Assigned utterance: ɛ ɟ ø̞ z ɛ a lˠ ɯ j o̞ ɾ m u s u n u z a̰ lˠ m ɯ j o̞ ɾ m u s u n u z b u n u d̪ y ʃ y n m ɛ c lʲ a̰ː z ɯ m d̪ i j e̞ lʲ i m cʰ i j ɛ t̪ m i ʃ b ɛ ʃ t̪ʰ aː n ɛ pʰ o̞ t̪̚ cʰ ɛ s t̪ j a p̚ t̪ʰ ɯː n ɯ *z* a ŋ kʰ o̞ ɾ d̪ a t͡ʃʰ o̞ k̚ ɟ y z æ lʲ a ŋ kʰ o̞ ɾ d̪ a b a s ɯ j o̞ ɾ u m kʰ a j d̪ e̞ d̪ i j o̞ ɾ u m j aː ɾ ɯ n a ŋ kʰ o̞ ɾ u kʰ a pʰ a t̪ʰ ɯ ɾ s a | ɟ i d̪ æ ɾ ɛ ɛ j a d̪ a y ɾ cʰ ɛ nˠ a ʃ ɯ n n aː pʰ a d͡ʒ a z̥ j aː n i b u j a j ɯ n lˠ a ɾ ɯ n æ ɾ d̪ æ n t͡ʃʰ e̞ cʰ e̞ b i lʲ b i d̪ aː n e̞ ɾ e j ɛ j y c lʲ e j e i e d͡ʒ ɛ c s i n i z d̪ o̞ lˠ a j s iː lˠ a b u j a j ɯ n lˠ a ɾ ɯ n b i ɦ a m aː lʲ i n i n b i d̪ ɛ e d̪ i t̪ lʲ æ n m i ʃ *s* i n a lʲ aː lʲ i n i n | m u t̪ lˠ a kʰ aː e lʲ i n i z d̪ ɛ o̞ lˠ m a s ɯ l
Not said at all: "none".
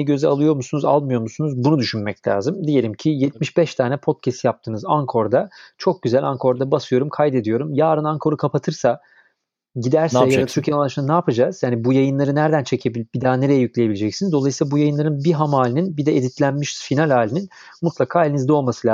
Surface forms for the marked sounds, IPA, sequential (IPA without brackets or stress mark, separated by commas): z, f